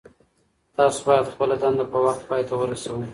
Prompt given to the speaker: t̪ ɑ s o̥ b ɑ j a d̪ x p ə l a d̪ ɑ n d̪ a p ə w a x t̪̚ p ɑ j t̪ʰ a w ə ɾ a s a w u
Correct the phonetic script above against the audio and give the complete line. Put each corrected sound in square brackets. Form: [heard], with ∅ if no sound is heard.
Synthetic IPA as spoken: t̪ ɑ s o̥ b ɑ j a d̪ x p ə l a d̪ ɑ n d̪ a p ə w a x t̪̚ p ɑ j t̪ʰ a w ə ɾ a s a w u